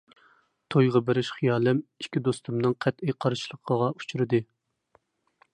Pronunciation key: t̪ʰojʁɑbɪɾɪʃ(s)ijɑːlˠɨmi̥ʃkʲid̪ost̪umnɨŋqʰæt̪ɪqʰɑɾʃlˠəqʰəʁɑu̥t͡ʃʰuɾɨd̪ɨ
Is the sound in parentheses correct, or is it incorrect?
incorrect